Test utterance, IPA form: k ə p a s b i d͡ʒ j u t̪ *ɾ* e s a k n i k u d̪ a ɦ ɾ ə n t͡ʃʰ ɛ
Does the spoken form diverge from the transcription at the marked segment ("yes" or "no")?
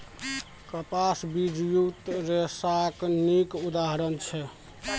no